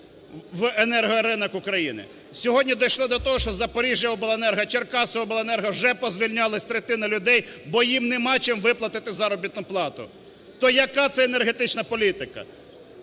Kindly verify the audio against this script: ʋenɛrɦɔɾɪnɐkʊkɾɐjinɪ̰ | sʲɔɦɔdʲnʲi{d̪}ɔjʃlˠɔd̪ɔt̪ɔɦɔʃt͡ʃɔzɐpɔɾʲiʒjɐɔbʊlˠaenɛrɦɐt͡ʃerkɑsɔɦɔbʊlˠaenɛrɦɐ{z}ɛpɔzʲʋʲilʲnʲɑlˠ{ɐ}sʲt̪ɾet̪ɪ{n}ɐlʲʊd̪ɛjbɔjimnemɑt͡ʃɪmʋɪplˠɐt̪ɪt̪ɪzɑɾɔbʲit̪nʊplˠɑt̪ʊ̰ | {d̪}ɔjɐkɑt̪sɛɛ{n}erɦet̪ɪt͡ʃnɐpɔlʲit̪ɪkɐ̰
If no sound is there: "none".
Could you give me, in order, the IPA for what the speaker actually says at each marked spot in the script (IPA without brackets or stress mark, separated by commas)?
d̪, ʒ, ɐ, n, t̪, n